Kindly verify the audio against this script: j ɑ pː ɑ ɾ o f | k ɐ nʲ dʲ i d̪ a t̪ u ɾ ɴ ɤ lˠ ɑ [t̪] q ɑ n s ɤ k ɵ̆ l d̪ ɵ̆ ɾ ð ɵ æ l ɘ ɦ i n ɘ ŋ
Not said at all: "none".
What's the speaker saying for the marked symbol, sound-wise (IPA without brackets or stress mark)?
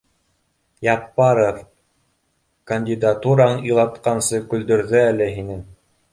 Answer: t̪